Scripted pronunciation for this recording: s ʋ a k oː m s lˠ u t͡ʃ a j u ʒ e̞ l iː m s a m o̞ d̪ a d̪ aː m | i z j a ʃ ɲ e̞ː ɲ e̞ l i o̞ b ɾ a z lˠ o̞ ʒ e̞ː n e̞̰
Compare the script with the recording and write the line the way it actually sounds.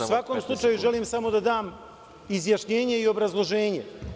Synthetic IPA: s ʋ a k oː m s lˠ u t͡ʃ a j u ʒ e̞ l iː m s a m o̞ d̪ a d̪ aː m | i z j a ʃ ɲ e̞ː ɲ e̞ i o̞ b ɾ a z lˠ o̞ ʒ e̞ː ɲ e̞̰

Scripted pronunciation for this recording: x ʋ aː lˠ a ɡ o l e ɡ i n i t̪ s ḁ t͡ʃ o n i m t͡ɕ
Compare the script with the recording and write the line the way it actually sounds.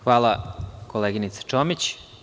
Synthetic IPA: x ʋ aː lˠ a k o l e ɡ i n i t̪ s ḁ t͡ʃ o m i t͡ɕ

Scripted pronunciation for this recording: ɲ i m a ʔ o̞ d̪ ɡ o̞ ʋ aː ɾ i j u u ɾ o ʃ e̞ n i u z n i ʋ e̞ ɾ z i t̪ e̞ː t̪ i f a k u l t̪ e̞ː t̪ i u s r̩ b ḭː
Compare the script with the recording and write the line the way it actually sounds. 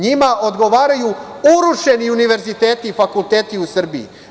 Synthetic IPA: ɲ i m a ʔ o̞ d̪ ɡ o̞ ʋ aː ɾ a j u u ɾ u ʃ e̞ n i u n i ʋ e̞ ɾ z i t̪ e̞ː t̪ i f a k u l t̪ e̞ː t̪ i u s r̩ b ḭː

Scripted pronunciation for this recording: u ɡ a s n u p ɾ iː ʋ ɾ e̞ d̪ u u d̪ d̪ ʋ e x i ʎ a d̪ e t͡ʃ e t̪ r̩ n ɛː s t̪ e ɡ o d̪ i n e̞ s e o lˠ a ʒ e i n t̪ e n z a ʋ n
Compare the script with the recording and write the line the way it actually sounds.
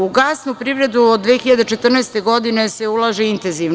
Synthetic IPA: u ɡ a s n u p ɾ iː ʋ ɾ e̞ d̪ u o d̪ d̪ ʋ e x i ʎ a d̪ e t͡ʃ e t̪ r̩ n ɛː s t̪ e ɡ o d̪ i n e̞ s e u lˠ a ʒ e i n t̪ e n z i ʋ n

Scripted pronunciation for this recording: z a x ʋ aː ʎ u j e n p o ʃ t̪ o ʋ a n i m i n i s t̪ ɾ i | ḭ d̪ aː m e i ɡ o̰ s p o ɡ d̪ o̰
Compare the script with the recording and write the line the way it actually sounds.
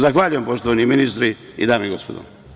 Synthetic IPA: z a x ʋ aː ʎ u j e m p o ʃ t̪ o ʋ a n i m i n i s t̪ ɾ i | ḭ d̪ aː m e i ɡ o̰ s p o d̪ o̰

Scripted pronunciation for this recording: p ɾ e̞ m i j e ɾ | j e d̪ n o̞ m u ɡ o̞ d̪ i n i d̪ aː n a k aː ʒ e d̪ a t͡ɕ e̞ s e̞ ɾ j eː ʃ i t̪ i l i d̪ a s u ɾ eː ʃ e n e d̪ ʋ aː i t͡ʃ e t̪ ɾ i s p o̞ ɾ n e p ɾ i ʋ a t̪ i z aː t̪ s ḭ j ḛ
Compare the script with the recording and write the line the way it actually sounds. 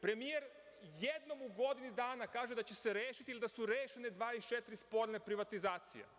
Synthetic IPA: p ɾ e̞ m i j e ɾ | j e d̪ n o̞ m u ɡ o̞ d̪ i n i d̪ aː n a k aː ʒ e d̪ a t͡ɕ e̞ s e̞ ɾ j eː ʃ i t̪ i l i d̪ a s u ɾ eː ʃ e n e d̪ ʋ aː i t͡ʃ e t̪ ɾ i s p o̞ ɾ n e p ɾ i ʋ a t̪ i z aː t̪ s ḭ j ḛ

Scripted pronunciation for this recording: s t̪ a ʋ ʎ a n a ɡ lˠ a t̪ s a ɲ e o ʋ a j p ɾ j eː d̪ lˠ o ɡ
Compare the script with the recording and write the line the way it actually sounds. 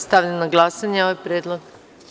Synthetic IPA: s t̪ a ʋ ʎ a n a ɡ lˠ a s a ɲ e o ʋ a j p ɾ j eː d̪ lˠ o ɡ

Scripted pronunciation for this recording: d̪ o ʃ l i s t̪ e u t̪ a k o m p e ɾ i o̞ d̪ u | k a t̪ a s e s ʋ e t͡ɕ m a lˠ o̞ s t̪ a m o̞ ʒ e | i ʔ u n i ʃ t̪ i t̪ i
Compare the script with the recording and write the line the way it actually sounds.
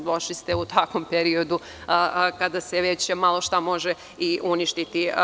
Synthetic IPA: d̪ o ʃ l i s t̪ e u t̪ a k o m p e ɾ i o̞ d̪ u | k a d̪ a s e ʋ e t͡ɕ m a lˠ o̞ ʃ t̪ a m o̞ ʒ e | i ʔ u n i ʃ t̪ i t̪ i

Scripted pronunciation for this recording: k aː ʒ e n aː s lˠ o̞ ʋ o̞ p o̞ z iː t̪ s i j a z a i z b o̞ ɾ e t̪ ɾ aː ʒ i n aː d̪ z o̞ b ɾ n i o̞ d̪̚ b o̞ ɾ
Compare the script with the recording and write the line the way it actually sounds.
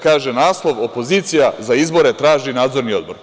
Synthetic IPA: k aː ʒ e n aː s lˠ o̞ ʋ o̞ p o̞ z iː t̪ s i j a z a i z b o̞ ɾ e t̪ ɾ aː ʒ i n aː d̪ z o̞ ɾ n i o̞ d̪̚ b o̞ ɾ

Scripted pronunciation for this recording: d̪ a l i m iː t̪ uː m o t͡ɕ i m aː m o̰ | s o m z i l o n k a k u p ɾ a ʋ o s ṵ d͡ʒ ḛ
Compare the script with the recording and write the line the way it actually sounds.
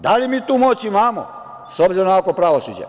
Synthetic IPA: d̪ a l i m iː t̪ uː m o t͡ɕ i m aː m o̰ | s o b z i ɾ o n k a k o p ɾ a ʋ o s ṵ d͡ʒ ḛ

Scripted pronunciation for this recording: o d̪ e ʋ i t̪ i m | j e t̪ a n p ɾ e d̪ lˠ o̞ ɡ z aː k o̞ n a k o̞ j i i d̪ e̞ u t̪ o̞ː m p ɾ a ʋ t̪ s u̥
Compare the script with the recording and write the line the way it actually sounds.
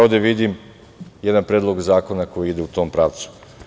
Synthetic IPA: o d̪ e ʋ i d̪ i m | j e d̪ a n p ɾ e d̪ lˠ o̞ ɡ z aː k o̞ n a k o̞ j i i d̪ e̞ u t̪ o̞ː m p ɾ a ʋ t̪ s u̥

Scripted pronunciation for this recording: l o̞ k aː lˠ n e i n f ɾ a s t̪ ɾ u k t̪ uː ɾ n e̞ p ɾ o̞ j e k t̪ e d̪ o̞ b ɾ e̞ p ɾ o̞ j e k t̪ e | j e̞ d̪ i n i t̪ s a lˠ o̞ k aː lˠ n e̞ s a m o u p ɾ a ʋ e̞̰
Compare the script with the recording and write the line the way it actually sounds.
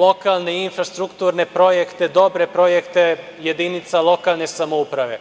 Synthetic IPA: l o̞ k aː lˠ n e i n f ɾ a s t̪ ɾ u k t̪ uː ɾ n e̞ p ɾ o̞ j e k t̪ e d̪ o̞ b ɾ e̞ p ɾ o̞ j e k t̪ e | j e̞ d̪ i n i t̪ s a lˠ o̞ k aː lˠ n e̞ s a m o u p ɾ a ʋ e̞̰

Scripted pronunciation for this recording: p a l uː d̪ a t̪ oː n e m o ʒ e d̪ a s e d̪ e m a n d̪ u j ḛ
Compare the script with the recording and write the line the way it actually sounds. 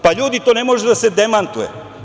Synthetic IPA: p a ʎ uː d̪ i t̪ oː n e m o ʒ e d̪ a s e d̪ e m a n t̪ u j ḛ

